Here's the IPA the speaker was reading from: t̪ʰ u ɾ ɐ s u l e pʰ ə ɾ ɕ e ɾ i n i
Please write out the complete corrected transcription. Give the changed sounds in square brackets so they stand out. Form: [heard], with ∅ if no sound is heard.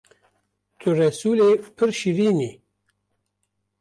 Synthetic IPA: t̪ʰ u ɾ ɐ s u l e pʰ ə ɾ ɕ [i] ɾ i n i